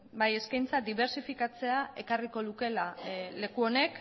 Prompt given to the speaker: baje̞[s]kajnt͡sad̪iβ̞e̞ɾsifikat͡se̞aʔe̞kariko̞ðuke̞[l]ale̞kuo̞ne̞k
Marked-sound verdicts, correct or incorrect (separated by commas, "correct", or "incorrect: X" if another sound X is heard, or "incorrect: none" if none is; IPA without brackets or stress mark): correct, correct